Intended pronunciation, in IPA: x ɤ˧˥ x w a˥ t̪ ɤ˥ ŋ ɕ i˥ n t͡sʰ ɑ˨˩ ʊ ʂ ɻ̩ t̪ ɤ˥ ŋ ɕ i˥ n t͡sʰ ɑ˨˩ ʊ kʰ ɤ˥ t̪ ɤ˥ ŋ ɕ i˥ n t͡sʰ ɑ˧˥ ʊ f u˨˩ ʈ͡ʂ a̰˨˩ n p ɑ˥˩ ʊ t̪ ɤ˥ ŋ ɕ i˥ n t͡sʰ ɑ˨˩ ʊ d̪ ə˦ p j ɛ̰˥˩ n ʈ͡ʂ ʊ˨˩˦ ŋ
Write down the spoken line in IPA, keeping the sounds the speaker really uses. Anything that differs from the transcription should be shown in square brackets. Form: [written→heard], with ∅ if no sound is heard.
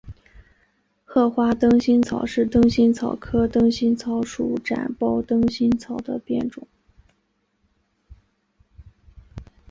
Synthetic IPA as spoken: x [ɤ˧˥→ɤ˥˩] x w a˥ t̪ ɤ˥ ŋ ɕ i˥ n t͡sʰ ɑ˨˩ ʊ ʂ ɻ̩ t̪ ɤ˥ ŋ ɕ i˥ n t͡sʰ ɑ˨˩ ʊ kʰ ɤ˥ t̪ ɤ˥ ŋ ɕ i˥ n t͡sʰ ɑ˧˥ ʊ [f→ʂ] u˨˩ ʈ͡ʂ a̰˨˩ n p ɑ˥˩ ʊ t̪ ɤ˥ ŋ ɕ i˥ n t͡sʰ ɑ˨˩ ʊ d̪ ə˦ p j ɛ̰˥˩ n ʈ͡ʂ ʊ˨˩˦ ŋ